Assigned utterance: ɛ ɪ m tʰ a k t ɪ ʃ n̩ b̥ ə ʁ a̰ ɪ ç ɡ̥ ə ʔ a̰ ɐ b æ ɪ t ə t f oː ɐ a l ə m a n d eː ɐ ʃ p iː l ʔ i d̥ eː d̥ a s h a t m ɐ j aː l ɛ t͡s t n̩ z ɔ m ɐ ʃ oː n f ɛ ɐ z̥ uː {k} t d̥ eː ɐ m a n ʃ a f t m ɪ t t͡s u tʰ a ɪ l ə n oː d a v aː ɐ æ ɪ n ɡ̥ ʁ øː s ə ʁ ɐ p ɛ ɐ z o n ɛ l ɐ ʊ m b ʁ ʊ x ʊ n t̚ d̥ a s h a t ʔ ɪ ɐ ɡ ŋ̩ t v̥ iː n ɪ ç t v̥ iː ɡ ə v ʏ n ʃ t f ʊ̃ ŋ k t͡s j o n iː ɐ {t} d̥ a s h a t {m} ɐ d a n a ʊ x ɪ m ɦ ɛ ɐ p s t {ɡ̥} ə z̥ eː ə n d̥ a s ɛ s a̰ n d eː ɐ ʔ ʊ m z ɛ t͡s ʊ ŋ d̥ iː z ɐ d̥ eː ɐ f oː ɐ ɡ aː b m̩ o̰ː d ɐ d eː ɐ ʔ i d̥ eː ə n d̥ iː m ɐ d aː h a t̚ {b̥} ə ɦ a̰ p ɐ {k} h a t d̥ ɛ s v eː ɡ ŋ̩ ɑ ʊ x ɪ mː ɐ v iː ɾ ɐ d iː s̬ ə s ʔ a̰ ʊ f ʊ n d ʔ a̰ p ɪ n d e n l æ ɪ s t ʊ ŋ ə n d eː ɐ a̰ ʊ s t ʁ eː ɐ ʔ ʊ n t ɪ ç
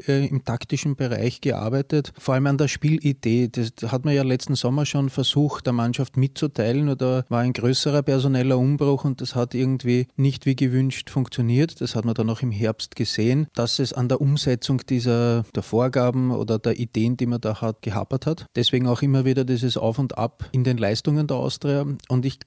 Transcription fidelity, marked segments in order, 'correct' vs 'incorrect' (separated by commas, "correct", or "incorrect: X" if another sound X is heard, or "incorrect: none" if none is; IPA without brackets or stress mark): incorrect: x, correct, correct, correct, incorrect: ɡ̥, incorrect: t